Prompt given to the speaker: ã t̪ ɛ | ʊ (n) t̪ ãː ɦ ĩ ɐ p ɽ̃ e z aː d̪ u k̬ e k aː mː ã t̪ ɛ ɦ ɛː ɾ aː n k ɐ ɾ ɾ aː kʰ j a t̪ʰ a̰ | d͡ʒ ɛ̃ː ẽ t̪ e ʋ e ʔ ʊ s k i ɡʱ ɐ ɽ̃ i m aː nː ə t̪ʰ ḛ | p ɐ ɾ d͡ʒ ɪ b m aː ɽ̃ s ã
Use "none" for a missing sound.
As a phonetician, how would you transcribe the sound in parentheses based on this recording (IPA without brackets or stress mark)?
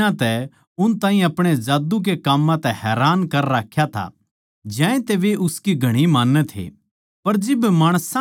n